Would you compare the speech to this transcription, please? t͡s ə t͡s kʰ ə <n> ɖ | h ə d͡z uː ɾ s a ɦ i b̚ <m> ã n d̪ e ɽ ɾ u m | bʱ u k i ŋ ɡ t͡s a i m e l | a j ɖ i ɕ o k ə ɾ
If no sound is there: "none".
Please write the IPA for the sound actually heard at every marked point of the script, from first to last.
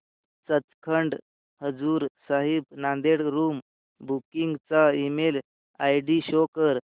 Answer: ɳ, n

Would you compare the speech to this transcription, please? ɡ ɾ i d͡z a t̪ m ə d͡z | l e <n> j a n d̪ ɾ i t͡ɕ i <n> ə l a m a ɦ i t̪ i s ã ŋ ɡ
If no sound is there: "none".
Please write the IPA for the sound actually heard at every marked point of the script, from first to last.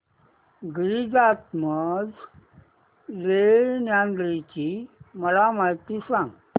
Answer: n, m

